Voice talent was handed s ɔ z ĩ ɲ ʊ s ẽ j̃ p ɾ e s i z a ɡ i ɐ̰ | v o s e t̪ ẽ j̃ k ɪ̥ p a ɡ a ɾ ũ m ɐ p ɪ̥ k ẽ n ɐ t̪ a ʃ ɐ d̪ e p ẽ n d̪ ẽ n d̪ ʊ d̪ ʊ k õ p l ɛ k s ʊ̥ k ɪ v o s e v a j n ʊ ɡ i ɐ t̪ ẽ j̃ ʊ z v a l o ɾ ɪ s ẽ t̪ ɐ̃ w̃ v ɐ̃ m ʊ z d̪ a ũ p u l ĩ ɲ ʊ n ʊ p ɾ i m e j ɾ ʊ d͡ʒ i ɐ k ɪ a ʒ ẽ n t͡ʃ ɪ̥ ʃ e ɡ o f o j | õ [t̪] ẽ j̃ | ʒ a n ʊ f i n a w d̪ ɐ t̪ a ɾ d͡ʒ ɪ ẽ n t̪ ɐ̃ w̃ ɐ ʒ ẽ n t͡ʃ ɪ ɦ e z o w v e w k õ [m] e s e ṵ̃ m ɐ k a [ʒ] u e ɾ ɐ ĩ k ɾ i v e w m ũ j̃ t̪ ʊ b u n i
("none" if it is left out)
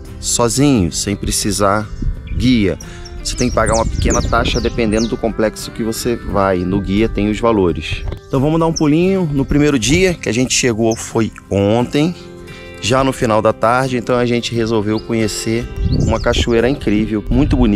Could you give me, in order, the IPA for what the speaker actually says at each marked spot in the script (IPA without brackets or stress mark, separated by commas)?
t̪, ɲ, ʃ